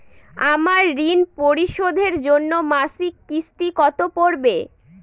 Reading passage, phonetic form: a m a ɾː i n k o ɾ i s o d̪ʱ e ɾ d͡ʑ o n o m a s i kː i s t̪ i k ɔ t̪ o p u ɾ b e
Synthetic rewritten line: a m a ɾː i n p o ɾ i ʃ o d̪ʱ e ɾ d͡ʑ o nː o m a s i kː i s t̪ i k ɔ t̪ o p o ɾ b e

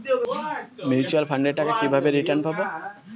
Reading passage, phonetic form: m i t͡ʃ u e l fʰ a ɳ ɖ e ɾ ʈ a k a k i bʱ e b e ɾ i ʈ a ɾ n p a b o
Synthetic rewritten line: m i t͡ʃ u a l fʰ a ɳ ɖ e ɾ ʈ a k a k i bʱ a b e ɾ i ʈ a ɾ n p a b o

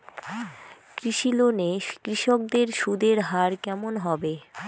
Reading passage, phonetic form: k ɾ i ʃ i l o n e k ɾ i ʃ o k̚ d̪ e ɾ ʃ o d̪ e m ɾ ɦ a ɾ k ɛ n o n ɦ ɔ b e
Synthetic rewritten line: k ɾ i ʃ i l o n e k ɾ i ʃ o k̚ d̪ e ɾ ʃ u d̪ e ɾ ɦ a ɾ k ɛ m o n ɦ ɔ b e

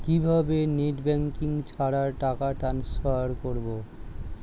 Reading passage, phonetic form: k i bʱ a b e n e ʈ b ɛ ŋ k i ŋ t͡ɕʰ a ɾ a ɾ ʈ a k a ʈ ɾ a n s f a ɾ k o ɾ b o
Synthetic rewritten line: k i bʱ a b e n e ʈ b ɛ ŋ k i ŋ t͡ɕʰ a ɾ a ɾ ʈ a k a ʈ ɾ a n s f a ɾ k o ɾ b o

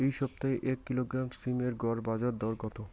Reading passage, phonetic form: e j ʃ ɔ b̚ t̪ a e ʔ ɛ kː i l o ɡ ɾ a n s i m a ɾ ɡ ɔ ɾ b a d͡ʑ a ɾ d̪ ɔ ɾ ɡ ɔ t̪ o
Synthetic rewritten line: e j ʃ ɔ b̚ t̪ a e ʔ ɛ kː i l o ɡ ɾ a m s i m e ɾ ɡ ɔ ɾ b a d͡ʑ a ɾ d̪ ɔ ɾ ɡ ɔ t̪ o

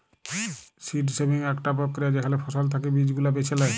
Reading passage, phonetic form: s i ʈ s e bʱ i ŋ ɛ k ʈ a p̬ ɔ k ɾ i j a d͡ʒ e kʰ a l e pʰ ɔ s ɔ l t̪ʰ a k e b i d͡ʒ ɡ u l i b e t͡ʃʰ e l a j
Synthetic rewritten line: s i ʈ s e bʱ i ŋ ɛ k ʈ a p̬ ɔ k ɾ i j a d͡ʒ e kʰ a l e pʰ ɔ s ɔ l t̪ʰ a k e b i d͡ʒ ɡ u l a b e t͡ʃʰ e l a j

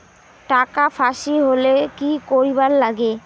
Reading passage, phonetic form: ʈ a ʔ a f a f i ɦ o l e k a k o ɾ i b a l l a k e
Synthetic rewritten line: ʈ a k a f a ʃ i ɦ o l e k i k o ɾ i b a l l a ɡ e

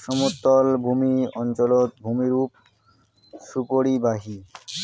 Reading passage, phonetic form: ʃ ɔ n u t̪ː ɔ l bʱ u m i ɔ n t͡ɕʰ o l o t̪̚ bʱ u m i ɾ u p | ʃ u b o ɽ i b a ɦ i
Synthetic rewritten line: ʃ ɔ m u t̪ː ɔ l bʱ u m i ɔ n t͡ɕ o l o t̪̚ bʱ u m i ɾ u p | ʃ u p o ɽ i b a ɦ i

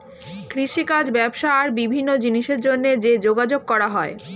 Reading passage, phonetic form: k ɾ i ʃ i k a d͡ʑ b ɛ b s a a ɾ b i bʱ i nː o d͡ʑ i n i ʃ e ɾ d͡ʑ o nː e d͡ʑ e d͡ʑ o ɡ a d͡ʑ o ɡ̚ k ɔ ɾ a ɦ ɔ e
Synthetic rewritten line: k ɾ i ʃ i k a d͡ʑ b ɛ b ʃ a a ɾ b i bʱ i nː o d͡ʑ i n i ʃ e ɾ d͡ʑ o nː e d͡ʑ e d͡ʑ o ɡ a d͡ʑ o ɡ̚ k ɔ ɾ a ɦ ɔ e

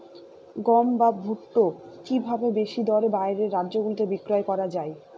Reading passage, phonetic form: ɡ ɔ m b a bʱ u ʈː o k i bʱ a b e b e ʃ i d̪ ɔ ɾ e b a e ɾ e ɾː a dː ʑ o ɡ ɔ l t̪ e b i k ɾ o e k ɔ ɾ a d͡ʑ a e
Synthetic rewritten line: ɡ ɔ m b a bʱ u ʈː o k i bʱ a b e b e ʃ i d̪ ɔ ɾ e b a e ɾ e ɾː a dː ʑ o ɡ u l t̪ e b i k ɾ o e k ɔ ɾ a d͡ʑ a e

